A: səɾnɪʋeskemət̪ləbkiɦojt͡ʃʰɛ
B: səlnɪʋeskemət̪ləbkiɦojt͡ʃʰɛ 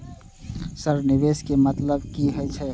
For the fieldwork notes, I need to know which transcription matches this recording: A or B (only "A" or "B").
A